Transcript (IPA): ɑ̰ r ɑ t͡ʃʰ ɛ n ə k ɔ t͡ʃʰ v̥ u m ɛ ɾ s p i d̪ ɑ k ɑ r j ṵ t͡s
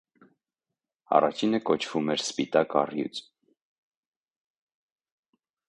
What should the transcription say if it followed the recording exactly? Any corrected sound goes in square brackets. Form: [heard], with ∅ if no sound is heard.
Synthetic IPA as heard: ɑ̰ r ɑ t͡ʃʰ [i] n ə k ɔ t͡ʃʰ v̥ u m ɛ ɾ s p i [t̪] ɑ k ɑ r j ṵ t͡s